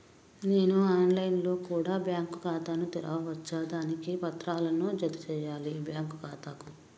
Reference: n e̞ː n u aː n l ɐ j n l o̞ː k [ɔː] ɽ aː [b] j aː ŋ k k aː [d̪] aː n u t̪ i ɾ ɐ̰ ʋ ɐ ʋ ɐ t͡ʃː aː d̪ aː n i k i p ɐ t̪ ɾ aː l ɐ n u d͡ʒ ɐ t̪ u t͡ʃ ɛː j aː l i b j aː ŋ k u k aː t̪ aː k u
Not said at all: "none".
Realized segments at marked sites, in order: uː, b, t̪

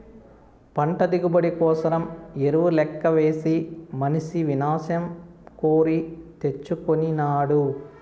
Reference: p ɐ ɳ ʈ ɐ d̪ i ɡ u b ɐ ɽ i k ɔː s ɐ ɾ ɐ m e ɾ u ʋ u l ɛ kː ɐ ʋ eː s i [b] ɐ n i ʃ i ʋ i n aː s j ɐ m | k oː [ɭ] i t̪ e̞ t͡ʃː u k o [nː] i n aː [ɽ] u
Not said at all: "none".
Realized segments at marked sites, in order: m, ɾ, n, ɽ

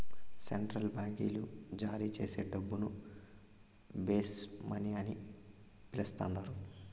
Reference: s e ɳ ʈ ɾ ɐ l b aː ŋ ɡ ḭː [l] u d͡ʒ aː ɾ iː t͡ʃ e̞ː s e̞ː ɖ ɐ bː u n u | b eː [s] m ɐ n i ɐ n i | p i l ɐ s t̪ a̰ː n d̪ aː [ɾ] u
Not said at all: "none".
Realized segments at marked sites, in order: l, s, ɾ

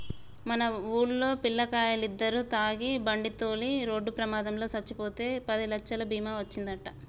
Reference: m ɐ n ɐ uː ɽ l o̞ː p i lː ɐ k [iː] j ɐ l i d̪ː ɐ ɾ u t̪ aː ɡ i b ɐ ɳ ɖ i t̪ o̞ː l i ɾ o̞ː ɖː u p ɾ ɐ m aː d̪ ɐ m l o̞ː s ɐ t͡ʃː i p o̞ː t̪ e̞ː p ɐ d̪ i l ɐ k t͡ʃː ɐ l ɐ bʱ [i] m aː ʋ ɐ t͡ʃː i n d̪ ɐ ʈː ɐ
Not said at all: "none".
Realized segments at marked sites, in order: aː, iː

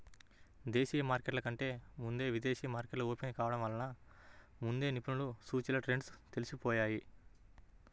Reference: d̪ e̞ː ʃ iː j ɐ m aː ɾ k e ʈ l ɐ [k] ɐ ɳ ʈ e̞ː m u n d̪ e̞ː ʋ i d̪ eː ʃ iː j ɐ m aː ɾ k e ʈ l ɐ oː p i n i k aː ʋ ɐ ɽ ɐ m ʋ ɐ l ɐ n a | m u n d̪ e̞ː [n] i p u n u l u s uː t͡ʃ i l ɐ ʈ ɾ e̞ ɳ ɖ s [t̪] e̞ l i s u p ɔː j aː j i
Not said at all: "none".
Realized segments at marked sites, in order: k, n, t̪

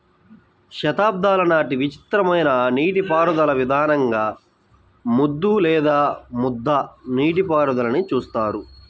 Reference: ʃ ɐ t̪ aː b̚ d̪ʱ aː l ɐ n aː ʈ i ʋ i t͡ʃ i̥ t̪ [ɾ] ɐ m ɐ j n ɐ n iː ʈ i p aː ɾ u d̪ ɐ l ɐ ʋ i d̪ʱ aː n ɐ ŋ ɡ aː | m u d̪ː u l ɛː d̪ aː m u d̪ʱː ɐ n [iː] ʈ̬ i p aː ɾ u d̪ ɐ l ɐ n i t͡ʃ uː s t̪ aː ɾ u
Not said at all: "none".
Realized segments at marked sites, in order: ɾ, iː

